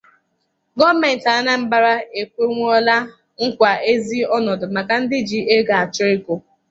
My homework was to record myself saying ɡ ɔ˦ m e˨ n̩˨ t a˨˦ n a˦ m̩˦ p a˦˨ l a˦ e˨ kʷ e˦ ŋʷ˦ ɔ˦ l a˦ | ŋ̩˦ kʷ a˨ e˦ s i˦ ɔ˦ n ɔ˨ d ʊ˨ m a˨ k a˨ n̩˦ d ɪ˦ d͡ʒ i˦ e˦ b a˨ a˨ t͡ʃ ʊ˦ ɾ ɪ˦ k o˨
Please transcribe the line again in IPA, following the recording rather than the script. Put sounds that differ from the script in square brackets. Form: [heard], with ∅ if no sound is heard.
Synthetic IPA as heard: ɡ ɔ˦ m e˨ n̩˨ t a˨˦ n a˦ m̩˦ [b] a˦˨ [ɾ] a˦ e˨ kʷ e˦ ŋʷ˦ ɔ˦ l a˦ | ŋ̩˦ kʷ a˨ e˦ [z] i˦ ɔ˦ n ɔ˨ d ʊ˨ m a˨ k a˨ n̩˦ d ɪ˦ d͡ʒ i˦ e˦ [ɡ] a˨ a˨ t͡ʃ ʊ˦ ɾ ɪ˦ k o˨